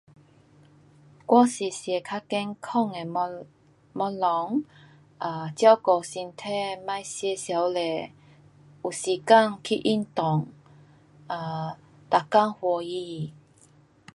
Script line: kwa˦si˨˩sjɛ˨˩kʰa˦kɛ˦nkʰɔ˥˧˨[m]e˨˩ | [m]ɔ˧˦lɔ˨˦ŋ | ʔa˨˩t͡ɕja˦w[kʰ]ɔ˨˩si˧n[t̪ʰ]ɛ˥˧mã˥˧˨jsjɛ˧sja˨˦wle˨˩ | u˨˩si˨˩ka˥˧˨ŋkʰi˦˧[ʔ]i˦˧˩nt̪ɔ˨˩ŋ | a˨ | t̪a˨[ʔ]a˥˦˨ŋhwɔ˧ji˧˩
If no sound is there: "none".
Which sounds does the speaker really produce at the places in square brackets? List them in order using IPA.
ŋ, m, k, t̪ʰ, ʔ, k

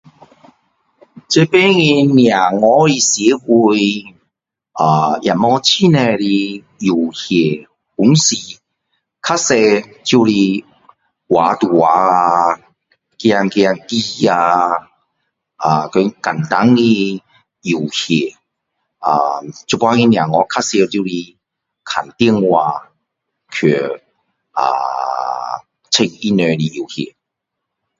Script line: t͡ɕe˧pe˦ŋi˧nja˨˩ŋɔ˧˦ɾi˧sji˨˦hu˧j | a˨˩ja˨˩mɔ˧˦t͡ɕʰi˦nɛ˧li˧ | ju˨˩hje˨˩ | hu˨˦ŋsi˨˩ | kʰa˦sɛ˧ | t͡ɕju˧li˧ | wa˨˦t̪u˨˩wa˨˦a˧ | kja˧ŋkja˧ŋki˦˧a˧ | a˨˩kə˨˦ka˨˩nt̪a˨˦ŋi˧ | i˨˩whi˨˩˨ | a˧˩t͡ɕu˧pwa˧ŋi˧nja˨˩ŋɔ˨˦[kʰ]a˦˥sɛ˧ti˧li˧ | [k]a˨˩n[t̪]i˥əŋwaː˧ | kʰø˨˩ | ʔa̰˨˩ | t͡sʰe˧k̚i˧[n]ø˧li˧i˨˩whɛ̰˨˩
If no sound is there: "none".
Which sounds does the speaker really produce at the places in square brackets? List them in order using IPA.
kʰ, kʰ, t̪, n

